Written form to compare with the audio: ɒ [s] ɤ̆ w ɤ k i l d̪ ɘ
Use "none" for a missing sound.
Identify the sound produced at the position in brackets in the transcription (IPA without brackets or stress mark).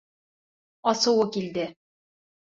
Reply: s